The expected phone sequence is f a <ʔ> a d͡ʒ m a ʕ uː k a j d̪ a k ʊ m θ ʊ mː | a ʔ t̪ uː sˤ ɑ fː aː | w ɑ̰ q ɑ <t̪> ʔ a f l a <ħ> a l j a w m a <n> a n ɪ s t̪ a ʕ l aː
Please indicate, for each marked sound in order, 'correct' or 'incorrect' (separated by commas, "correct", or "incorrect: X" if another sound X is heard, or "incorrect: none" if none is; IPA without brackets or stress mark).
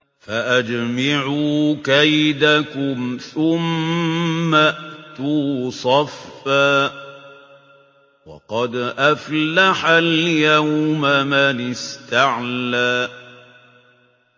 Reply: correct, incorrect: d̪, correct, incorrect: m